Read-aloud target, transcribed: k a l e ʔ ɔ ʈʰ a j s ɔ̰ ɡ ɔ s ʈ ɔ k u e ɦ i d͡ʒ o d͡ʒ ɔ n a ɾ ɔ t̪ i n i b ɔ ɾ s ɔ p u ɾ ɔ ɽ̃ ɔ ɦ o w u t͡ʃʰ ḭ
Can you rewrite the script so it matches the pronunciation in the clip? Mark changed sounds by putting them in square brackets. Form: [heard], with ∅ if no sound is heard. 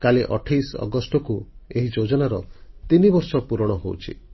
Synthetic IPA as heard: k a l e ʔ ɔ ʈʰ a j s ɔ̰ ɡ ɔ s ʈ ɔ k u e ɦ i d͡ʒ o d͡ʒ ɔ n a ɾ ɔ t̪ i n i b ɔ ɾ s ɔ p u ɾ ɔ ɽ̃ ɔ ɦ o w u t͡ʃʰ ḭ